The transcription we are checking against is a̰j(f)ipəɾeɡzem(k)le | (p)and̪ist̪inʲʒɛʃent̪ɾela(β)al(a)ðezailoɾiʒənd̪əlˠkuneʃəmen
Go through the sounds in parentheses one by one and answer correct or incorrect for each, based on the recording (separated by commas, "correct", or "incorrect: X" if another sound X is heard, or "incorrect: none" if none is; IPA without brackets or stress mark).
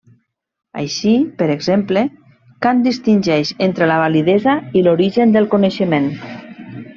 incorrect: ʃ, incorrect: p, incorrect: k, correct, incorrect: i